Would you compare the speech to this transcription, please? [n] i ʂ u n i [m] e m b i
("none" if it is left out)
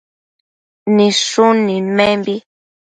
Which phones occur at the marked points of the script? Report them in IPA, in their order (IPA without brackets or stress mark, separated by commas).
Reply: n, m